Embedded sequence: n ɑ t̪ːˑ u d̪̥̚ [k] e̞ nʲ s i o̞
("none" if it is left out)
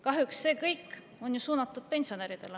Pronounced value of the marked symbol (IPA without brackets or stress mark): p